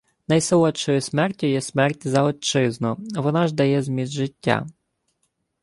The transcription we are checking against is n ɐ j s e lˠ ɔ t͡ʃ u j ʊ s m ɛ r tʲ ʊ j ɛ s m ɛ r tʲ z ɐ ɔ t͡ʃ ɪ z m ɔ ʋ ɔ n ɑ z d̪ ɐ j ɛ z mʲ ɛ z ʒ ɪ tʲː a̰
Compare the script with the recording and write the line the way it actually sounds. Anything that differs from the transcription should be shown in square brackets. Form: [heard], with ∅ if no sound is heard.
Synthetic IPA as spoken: n ɐ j s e lˠ ɔ t͡ʃ [ɔ] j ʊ s m ɛ r tʲ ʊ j ɛ s m ɛ r tʲ z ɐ ɔ t͡ʃ ɪ z [n] ɔ ʋ ɔ n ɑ [ʒ] d̪ ɐ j ɛ z mʲ [i] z ʒ ɪ tʲː a̰